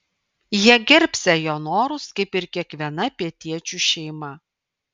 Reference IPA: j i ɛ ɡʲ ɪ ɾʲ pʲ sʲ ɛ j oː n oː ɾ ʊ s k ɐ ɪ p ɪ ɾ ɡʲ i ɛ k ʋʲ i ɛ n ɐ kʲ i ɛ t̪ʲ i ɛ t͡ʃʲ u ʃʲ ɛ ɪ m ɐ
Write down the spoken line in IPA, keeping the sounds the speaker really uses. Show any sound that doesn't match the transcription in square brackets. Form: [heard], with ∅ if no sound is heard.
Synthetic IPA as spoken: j i ɛ ɡʲ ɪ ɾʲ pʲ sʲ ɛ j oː n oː ɾ ʊ s k ɐ ɪ p ɪ ɾ [kʲ] i ɛ k ʋʲ i ɛ n ɐ [pʲ] i ɛ t̪ʲ i ɛ t͡ʃʲ u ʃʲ ɛ ɪ m ɐ

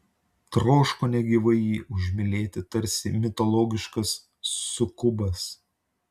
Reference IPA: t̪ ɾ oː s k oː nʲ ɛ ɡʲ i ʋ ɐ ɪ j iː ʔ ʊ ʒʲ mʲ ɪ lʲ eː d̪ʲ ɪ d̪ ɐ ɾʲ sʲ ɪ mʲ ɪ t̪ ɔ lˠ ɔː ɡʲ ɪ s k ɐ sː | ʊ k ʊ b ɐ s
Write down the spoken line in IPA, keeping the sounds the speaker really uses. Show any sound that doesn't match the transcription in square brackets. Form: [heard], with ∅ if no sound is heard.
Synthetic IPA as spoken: t̪ ɾ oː [ʃ] k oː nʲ ɛ ɡʲ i ʋ ɐ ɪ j iː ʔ ʊ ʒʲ mʲ ɪ lʲ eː [t̪ʲ] ɪ [t̪] ɐ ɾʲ sʲ ɪ mʲ ɪ t̪ ɔ lˠ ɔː ɡʲ ɪ [ʃ] k ɐ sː | ʊ k ʊ b ɐ s

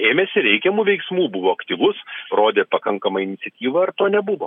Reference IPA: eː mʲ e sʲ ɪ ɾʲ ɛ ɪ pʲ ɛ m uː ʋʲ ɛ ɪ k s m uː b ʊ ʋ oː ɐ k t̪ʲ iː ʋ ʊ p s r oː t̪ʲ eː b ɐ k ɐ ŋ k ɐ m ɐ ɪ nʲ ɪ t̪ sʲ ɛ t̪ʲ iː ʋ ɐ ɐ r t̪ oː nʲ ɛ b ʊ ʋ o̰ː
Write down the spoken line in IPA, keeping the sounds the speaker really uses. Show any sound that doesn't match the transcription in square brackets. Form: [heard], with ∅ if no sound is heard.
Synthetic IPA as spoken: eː mʲ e sʲ ɪ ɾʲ ɛ ɪ [kʲ] ɛ m uː ʋʲ ɛ ɪ k s m uː b ʊ ʋ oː ɐ k t̪ʲ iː ʋ ʊ [∅] s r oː [d̪ʲ] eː [p] ɐ k ɐ ŋ k ɐ m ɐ ɪ nʲ ɪ t̪ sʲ ɛ t̪ʲ iː ʋ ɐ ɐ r t̪ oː nʲ ɛ b ʊ ʋ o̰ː

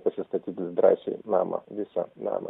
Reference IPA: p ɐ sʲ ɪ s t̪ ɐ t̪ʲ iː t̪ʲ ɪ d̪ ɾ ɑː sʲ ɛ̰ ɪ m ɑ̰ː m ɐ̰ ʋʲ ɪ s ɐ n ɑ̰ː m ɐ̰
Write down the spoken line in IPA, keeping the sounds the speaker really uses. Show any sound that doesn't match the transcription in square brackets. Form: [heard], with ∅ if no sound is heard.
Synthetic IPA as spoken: p ɐ sʲ ɪ s t̪ ɐ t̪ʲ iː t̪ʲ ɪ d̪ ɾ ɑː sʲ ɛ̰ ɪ [n] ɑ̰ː m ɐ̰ ʋʲ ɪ s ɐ n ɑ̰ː m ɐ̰

